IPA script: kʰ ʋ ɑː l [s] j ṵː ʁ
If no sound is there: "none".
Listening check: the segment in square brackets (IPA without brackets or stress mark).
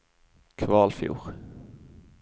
f